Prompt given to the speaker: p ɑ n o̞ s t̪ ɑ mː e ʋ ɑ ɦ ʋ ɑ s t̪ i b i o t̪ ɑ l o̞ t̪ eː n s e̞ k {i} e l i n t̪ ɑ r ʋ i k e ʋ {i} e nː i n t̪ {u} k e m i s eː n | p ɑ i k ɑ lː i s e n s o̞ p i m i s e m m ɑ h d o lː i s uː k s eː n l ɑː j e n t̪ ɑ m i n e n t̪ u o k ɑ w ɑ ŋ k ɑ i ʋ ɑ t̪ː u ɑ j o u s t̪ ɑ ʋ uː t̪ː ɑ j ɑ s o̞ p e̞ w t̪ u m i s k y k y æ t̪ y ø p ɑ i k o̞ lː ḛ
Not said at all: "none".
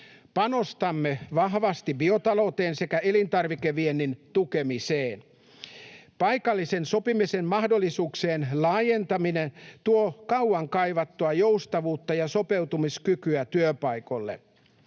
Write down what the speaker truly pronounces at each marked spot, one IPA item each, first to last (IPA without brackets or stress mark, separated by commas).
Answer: æ, i, u